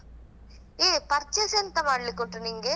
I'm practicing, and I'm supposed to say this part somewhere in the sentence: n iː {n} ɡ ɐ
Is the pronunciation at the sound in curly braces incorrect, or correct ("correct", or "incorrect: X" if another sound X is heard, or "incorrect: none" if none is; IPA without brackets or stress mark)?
incorrect: ŋ